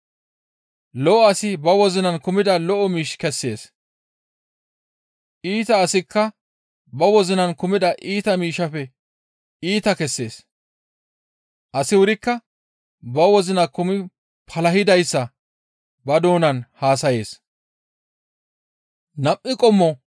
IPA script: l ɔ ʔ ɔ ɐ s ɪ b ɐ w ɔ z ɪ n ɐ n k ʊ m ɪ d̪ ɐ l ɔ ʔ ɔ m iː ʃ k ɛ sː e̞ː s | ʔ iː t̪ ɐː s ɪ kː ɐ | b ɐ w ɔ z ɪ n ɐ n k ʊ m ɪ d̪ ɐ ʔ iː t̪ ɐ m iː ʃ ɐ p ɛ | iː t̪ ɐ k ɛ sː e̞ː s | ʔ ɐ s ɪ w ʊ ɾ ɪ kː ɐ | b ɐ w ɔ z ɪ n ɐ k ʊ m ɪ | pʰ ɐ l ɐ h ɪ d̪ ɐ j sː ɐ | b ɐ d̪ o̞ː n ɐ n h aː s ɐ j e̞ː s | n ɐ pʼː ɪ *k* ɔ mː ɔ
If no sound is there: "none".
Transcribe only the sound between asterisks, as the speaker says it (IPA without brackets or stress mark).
kʼ